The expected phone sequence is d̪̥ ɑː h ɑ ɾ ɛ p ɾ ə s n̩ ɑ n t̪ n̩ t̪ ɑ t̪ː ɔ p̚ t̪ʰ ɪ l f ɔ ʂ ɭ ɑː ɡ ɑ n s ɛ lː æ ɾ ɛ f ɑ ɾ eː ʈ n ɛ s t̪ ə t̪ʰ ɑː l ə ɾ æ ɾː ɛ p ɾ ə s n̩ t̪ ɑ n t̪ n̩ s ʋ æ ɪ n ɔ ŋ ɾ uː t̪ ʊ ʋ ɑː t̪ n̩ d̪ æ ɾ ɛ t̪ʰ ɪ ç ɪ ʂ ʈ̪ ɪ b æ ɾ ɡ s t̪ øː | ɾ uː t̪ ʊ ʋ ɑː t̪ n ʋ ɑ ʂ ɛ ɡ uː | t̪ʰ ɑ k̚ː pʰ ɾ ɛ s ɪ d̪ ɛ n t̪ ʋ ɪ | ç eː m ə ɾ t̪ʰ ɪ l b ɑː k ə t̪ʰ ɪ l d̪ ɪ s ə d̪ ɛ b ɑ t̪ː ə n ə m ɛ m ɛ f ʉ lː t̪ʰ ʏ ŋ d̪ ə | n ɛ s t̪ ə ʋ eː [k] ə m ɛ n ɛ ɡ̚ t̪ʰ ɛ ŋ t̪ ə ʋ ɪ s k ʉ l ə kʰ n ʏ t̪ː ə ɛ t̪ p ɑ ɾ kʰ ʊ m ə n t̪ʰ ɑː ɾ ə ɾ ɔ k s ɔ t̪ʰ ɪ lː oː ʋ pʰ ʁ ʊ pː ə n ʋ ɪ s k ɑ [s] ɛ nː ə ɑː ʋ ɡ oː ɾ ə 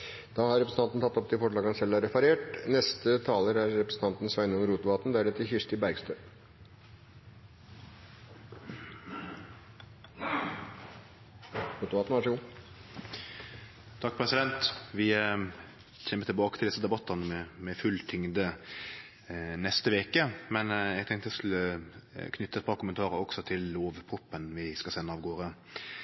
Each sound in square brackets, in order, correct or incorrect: correct, correct

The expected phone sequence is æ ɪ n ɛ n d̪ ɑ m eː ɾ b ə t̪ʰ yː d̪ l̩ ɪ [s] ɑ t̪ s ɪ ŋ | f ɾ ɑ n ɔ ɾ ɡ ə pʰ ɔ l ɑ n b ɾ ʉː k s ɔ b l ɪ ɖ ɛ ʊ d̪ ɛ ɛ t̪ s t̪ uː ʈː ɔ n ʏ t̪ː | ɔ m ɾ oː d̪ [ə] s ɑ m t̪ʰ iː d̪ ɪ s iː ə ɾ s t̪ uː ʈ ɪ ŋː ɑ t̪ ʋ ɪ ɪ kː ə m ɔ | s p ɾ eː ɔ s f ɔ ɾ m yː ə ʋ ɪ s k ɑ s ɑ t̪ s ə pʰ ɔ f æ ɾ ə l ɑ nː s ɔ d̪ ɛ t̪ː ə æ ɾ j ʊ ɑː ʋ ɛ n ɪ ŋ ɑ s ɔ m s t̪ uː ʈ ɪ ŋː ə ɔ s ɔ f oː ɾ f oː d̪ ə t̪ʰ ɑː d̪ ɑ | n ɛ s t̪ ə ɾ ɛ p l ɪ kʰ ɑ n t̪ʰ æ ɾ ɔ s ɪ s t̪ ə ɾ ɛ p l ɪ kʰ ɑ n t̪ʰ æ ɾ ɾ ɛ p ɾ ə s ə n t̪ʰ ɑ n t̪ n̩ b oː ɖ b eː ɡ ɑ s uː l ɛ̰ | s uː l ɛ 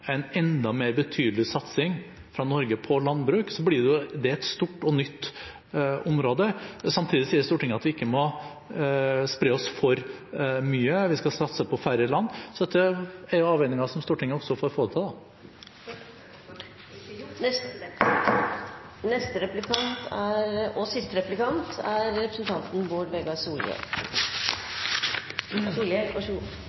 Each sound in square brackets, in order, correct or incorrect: correct, correct

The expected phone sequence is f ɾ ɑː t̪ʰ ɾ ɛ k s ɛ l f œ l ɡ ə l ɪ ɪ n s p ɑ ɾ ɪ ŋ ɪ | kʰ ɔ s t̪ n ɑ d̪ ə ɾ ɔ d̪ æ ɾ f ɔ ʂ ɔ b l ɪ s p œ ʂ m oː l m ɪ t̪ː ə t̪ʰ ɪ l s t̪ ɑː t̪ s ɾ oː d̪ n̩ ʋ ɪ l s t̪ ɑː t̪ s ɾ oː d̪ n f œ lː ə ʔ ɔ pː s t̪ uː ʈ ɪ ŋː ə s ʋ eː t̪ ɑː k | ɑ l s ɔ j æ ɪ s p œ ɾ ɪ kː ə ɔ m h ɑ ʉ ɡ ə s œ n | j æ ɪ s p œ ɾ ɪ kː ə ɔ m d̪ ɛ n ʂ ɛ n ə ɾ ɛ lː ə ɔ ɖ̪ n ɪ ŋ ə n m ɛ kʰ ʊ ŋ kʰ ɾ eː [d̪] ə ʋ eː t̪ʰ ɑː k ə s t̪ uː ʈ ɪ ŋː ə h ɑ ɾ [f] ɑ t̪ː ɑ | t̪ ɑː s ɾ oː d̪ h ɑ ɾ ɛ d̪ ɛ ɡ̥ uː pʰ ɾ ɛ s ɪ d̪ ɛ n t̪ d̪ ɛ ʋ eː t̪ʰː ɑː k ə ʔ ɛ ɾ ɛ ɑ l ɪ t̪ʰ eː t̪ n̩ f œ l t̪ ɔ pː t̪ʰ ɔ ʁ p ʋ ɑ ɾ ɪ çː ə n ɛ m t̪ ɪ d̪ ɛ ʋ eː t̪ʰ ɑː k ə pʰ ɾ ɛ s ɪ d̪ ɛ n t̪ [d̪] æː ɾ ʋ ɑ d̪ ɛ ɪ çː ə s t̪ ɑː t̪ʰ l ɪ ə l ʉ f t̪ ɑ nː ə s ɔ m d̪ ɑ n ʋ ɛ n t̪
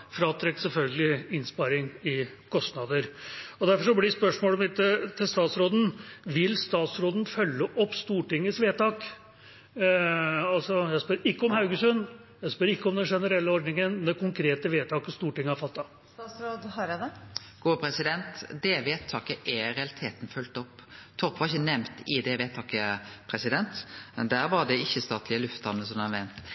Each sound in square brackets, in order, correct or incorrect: incorrect, correct, correct

